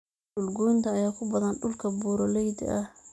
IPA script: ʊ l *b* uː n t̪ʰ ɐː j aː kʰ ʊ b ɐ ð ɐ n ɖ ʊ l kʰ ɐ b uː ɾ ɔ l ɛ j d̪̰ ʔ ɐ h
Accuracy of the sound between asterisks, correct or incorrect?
incorrect